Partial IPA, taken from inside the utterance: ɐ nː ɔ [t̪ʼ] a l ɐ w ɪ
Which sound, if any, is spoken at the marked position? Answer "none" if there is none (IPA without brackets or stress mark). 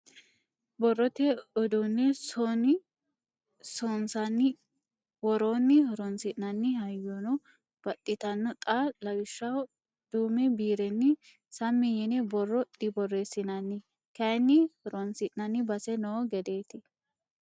t̪ʼ